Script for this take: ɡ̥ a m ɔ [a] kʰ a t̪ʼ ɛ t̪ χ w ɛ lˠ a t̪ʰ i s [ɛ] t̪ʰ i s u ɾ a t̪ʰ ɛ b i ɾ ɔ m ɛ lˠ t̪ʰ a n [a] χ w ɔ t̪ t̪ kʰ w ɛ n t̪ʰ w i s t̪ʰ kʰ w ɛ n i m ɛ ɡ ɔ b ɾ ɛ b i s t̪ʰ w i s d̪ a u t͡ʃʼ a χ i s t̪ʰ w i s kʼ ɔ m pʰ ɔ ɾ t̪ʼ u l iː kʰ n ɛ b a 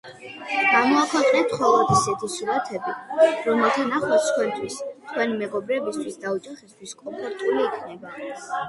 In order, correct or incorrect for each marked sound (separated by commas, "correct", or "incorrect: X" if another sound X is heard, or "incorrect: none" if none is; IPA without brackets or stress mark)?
correct, correct, correct